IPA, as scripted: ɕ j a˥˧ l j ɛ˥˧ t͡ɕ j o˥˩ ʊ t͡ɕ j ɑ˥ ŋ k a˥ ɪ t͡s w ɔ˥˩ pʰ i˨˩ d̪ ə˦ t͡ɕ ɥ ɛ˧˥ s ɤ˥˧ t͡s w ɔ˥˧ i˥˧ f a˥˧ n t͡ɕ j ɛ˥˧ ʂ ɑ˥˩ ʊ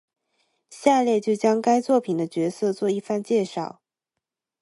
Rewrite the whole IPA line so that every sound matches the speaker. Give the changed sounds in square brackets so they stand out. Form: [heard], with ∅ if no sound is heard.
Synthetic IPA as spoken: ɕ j a˥˧ l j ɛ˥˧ t͡ɕ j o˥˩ ʊ t͡ɕ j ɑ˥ ŋ k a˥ ɪ t͡s w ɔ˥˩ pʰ i˨˩ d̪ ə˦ t͡ɕ ɥ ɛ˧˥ s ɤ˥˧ t͡s w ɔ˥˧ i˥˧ f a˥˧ n t͡ɕ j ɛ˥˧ ʂ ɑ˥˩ ʊ